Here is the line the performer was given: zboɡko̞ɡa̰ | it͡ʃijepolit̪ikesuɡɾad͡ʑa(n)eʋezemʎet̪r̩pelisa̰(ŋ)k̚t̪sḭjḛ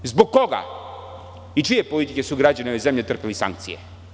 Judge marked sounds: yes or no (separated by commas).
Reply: yes, yes